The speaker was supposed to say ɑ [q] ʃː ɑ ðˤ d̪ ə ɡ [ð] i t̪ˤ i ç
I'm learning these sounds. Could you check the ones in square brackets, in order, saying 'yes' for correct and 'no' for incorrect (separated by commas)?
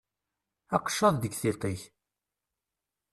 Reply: yes, no